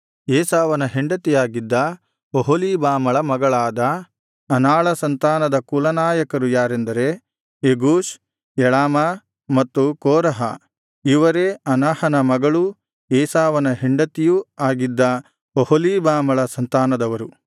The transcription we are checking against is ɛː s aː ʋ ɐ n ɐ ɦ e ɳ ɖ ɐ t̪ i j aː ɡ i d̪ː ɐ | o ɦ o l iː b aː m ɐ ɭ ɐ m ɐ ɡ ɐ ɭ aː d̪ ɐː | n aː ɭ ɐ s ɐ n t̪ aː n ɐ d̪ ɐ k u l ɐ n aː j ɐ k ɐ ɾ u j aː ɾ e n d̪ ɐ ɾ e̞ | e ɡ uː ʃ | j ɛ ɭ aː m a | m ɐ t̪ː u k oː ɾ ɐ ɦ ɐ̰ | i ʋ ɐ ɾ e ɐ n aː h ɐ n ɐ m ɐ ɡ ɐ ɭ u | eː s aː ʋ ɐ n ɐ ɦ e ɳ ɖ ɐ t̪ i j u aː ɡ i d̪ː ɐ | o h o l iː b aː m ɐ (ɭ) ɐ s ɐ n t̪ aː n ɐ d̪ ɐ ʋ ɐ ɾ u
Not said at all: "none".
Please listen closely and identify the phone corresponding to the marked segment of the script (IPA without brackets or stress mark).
ɭ